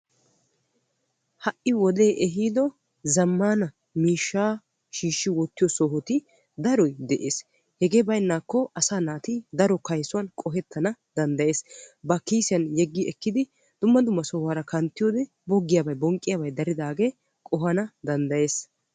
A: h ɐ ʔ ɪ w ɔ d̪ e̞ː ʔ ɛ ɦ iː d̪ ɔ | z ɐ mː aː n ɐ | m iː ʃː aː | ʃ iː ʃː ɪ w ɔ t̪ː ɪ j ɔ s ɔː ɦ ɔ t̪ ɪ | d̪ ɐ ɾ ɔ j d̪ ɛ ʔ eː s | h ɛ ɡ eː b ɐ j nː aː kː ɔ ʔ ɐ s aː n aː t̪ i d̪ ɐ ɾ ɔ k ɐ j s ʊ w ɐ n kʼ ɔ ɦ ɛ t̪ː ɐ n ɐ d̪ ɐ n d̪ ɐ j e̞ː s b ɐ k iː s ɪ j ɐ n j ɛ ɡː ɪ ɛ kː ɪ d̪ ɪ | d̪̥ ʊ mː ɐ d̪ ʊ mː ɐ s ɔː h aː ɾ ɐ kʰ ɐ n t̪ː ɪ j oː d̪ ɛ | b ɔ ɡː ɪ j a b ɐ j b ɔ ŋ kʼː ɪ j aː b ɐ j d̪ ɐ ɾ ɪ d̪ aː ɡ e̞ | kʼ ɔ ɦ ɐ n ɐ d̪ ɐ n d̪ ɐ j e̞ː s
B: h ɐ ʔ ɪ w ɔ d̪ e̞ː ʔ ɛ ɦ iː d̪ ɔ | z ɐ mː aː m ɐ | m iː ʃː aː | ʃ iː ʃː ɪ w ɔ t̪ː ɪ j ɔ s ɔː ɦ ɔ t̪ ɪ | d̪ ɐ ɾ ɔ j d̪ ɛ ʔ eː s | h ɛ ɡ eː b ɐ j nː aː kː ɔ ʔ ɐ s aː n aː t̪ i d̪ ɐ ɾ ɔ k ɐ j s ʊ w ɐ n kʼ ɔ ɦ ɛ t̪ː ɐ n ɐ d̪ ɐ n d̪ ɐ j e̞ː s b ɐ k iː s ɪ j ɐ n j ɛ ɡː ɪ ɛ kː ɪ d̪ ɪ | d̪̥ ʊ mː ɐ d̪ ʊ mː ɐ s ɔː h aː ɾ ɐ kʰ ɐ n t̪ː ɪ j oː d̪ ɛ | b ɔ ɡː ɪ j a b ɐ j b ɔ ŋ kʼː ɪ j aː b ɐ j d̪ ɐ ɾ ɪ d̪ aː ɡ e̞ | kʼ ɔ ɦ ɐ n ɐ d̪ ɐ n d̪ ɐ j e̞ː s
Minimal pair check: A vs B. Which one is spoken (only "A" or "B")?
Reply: A